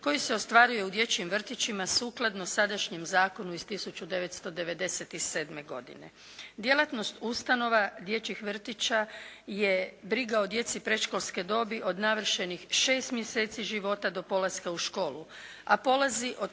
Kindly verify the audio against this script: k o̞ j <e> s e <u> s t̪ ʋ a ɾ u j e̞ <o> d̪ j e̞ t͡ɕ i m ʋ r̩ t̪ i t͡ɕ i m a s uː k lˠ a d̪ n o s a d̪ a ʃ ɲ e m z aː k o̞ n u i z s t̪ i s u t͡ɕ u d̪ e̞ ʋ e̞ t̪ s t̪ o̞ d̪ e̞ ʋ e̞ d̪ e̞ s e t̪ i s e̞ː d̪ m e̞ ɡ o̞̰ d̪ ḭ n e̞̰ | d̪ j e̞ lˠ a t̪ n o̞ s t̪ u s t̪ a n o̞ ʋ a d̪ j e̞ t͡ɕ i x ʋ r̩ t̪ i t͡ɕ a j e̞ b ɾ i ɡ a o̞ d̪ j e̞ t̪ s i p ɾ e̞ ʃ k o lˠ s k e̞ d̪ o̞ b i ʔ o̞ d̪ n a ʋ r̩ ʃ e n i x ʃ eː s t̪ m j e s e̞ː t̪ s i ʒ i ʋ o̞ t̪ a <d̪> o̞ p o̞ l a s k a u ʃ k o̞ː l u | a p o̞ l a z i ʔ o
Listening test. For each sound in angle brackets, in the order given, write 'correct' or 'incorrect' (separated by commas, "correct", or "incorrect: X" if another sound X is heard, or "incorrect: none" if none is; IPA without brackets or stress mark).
incorrect: i, incorrect: o, incorrect: u, correct